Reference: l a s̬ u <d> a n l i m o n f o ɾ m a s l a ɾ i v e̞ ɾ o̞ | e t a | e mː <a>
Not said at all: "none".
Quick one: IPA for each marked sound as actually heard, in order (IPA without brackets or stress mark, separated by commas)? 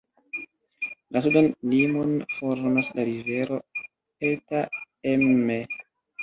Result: d, e